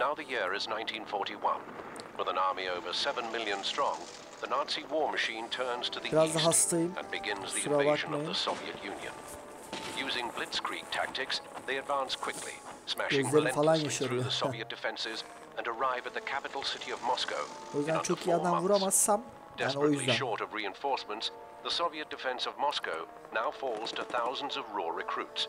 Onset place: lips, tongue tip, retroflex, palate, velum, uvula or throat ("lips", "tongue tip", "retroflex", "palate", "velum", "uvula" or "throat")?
tongue tip